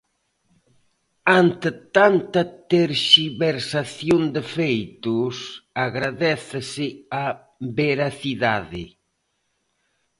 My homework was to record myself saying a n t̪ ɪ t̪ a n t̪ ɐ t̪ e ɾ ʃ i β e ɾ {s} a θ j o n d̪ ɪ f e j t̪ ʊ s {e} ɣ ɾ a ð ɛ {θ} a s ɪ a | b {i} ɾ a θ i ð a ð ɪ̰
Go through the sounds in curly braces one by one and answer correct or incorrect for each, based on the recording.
correct, incorrect: a, correct, incorrect: e

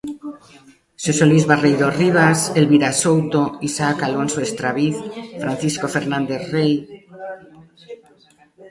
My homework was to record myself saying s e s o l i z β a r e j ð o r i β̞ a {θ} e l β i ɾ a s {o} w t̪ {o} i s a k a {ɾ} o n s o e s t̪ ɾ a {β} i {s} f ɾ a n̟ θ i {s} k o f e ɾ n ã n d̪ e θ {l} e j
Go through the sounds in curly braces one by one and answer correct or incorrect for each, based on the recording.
incorrect: s, correct, correct, incorrect: l, correct, incorrect: θ, correct, incorrect: r

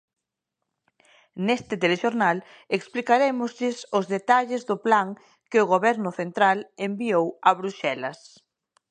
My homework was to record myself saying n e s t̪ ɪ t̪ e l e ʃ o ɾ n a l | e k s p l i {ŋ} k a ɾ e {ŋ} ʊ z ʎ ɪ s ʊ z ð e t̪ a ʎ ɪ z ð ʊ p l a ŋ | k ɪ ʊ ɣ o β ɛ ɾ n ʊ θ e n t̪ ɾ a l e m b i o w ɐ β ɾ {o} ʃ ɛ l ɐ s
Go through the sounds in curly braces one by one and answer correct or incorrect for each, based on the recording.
incorrect: none, incorrect: m, incorrect: u

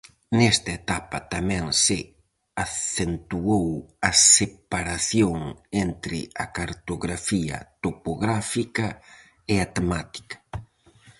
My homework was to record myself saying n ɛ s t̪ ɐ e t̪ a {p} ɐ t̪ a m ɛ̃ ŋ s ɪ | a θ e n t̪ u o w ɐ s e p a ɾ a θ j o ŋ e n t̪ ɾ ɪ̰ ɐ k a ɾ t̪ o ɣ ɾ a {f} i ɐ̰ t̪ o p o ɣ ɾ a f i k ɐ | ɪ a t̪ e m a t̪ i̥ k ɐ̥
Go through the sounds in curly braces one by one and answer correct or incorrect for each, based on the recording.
correct, correct

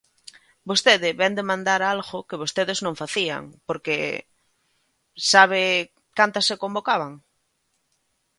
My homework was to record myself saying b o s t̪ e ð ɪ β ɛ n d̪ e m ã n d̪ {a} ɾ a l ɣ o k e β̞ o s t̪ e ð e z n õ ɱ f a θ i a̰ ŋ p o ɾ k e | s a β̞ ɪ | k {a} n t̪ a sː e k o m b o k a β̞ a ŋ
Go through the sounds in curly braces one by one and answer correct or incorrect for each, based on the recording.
correct, correct

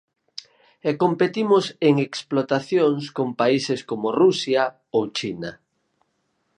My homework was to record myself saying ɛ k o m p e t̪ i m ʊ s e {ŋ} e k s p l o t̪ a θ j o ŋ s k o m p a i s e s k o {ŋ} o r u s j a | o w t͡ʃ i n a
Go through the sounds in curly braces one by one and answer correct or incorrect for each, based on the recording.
correct, incorrect: m

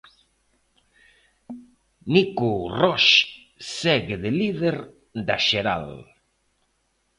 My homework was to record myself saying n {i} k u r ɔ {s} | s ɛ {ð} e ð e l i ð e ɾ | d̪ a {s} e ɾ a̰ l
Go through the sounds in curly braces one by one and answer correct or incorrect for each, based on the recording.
correct, incorrect: ʃ, incorrect: ɣ, incorrect: ʃ

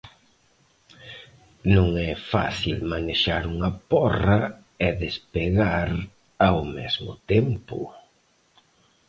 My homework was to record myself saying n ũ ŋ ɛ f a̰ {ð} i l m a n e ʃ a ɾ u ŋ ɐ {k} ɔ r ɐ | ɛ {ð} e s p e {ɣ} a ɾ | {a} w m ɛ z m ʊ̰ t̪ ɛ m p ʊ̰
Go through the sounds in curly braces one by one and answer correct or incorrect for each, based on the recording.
incorrect: θ, incorrect: p, correct, correct, correct

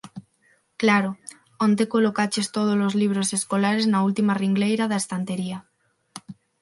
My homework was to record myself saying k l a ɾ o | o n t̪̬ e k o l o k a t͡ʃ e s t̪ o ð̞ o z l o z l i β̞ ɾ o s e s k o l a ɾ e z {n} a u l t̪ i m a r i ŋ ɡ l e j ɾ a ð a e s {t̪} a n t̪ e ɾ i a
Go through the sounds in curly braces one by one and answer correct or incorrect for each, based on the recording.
correct, correct

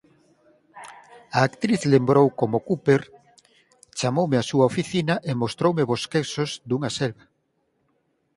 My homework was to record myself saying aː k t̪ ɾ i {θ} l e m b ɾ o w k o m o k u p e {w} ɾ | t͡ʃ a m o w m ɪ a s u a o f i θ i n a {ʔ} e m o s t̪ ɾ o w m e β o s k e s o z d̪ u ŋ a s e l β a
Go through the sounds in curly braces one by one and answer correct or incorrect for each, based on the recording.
correct, incorrect: none, correct

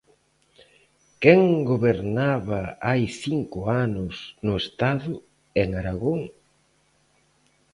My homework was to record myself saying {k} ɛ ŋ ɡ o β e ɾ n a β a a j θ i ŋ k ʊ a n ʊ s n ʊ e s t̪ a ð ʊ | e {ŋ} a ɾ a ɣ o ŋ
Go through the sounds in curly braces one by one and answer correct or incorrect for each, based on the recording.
correct, correct

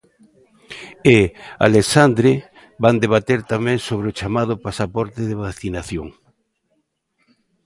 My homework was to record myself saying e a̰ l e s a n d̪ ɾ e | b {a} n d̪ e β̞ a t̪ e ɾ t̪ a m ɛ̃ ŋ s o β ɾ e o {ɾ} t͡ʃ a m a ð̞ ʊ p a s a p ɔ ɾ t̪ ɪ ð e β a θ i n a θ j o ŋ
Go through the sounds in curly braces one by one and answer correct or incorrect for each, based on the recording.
correct, incorrect: none

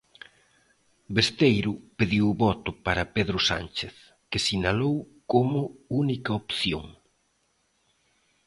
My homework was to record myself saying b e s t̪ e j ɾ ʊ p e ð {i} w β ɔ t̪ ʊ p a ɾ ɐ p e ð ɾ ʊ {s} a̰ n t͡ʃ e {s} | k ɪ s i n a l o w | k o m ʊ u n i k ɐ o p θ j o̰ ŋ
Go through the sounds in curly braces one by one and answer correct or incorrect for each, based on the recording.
correct, correct, incorrect: θ

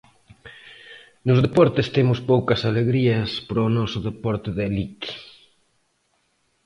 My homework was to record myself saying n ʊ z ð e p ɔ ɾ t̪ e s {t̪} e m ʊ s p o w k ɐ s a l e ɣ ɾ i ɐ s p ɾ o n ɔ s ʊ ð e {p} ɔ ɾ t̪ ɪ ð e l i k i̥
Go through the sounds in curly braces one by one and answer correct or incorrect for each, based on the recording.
correct, correct

